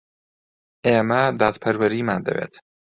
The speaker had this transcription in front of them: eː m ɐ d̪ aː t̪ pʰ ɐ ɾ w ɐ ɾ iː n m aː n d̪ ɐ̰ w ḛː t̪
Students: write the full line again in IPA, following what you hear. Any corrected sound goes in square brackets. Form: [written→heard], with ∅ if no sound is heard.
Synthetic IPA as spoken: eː m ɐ d̪ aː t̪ pʰ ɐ ɾ w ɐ ɾ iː [n→∅] m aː n d̪ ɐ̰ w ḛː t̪